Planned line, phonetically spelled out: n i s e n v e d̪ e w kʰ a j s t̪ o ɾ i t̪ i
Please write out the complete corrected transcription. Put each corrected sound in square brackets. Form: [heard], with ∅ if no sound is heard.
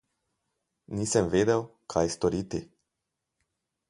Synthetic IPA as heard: n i s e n v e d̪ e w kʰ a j s t̪ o ɾ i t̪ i